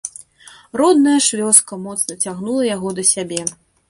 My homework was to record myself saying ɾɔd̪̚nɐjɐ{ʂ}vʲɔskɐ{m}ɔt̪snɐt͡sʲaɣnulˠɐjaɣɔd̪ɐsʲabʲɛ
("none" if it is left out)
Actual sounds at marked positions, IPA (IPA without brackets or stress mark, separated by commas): ʂ, m